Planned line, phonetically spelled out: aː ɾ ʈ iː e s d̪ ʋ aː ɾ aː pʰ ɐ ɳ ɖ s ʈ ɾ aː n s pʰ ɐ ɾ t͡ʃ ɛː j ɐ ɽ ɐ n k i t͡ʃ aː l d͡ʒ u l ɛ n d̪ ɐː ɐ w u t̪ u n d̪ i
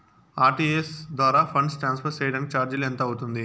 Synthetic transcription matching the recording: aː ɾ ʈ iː e s d̪ ʋ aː ɾ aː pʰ ɐ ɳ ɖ s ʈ ɾ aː n s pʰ ɐ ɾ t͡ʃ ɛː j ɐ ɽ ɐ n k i t͡ʃ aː ɾ d͡ʒ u l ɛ n t̪ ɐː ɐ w u t̪ u n d̪ i